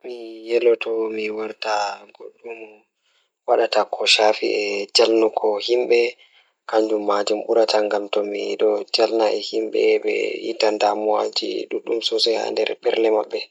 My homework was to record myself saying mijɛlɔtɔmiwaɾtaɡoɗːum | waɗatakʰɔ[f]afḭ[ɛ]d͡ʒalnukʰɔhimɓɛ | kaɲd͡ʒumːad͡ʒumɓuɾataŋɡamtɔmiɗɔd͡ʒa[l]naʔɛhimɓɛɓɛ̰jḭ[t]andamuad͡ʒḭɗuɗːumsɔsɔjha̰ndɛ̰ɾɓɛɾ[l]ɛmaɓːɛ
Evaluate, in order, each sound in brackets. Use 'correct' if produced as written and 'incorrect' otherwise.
incorrect, correct, correct, correct, correct

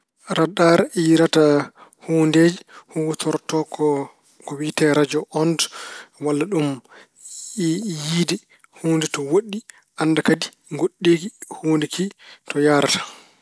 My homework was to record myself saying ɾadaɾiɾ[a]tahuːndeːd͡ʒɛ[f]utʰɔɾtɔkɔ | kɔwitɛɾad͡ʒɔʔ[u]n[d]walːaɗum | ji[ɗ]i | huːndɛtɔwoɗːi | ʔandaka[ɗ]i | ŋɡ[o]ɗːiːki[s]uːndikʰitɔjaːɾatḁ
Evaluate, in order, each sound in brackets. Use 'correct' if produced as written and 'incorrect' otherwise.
correct, incorrect, incorrect, correct, incorrect, incorrect, correct, incorrect

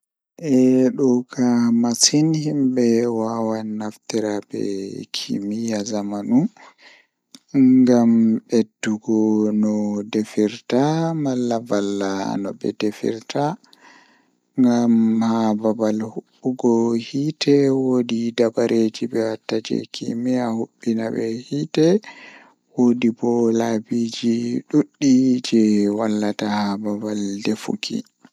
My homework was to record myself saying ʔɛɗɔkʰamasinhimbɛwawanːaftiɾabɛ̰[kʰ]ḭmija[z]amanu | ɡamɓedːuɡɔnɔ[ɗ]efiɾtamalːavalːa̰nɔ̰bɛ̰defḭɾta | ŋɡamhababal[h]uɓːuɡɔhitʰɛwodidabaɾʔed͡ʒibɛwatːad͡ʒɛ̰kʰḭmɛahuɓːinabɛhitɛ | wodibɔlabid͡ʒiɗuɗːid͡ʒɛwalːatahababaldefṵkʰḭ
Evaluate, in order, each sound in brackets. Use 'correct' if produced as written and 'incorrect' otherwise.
correct, correct, incorrect, correct

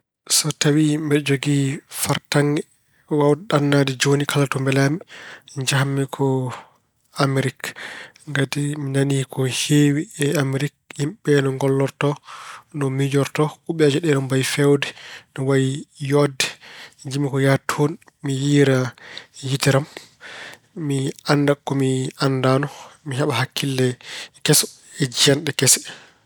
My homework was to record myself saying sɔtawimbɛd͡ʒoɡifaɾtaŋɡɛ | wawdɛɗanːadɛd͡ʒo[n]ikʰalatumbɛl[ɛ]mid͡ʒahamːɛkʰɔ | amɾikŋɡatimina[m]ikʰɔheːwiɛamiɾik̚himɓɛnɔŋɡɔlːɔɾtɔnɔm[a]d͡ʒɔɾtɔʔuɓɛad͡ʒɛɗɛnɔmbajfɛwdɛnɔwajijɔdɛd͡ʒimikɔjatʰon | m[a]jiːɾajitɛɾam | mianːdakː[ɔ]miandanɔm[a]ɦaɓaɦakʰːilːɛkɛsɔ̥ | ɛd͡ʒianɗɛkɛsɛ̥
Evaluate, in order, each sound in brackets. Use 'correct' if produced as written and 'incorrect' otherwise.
correct, incorrect, incorrect, incorrect, incorrect, correct, incorrect

